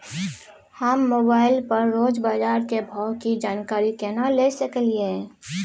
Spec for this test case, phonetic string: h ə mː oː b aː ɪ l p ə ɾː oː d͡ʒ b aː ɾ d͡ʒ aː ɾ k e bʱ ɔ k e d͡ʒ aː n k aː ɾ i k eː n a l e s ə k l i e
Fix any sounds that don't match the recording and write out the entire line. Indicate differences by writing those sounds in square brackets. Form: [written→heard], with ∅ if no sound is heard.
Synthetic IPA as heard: h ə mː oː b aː ɪ l p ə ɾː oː d͡ʒ b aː [ɾ→∅] d͡ʒ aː ɾ k e bʱ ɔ k [e→i] d͡ʒ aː n k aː ɾ i k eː n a l e s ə k l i e